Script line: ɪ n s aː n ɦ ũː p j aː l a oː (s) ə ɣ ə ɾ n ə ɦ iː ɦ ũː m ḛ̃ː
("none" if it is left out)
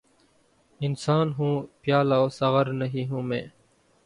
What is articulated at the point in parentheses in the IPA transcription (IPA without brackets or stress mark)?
s